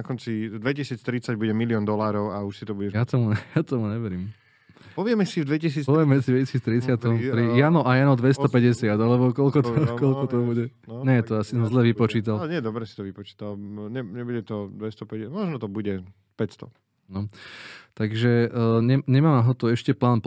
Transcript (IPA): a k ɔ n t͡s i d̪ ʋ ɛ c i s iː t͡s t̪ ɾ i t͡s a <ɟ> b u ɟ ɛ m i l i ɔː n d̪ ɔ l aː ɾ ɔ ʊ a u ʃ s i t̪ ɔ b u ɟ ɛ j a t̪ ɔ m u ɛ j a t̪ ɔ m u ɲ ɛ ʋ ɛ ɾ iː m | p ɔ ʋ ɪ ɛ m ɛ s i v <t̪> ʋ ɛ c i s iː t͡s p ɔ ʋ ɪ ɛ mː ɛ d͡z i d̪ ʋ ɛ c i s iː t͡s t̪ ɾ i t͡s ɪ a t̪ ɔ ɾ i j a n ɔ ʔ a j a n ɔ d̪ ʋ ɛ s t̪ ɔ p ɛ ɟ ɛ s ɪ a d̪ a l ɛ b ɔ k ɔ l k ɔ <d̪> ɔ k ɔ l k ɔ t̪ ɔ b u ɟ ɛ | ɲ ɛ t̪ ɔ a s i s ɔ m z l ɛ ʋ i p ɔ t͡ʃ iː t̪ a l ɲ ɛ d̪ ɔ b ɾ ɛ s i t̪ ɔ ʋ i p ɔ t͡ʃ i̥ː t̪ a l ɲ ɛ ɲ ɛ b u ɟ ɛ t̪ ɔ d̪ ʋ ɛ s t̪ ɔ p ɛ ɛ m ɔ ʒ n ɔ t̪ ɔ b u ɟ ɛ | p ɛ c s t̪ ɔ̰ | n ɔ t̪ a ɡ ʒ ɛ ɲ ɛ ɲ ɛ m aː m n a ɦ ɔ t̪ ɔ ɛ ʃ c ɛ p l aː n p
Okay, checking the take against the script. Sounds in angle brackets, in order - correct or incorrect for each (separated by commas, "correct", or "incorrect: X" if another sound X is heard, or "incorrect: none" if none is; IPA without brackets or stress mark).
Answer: correct, incorrect: d̪, incorrect: t̪